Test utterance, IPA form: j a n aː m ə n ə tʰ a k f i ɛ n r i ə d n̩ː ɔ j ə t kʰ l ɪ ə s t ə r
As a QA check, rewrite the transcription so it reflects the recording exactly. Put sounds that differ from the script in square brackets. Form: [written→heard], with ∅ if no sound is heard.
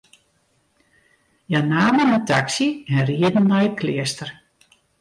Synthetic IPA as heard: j a n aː m ə n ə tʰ a k [f→s] i ɛ n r i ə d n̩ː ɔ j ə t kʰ l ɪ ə s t ə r